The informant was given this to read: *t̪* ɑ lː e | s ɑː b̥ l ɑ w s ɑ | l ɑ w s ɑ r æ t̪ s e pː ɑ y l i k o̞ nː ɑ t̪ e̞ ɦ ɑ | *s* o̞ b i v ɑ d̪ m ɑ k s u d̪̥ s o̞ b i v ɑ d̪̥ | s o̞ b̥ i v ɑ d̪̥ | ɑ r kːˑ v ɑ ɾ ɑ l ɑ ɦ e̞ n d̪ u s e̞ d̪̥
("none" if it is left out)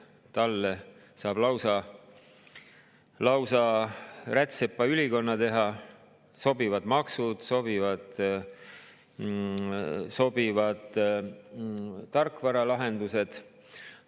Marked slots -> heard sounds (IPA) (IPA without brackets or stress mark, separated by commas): t̪, s